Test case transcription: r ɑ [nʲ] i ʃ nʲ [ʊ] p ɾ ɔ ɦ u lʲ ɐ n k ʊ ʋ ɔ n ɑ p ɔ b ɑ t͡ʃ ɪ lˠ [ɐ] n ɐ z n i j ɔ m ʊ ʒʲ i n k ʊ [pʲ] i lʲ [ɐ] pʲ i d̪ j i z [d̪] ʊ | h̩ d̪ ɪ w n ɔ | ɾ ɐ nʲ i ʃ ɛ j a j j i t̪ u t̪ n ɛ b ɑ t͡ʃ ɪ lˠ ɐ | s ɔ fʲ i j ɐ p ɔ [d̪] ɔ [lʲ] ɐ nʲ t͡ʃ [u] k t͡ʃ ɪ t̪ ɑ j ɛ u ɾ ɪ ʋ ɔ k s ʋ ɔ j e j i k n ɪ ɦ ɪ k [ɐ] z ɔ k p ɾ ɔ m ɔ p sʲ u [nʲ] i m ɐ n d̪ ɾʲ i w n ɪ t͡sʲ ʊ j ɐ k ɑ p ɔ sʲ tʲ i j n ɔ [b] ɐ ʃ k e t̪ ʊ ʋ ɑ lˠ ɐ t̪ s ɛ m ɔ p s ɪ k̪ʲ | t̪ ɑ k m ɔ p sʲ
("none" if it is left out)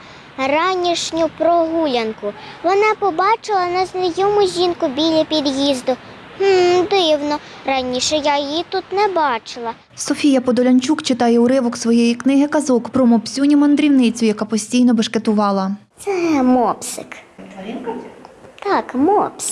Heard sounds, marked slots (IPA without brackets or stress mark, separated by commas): nʲ, ʊ, ɐ, bʲ, ɐ, d̪, d̪, lʲ, u, ɐ, nʲ, b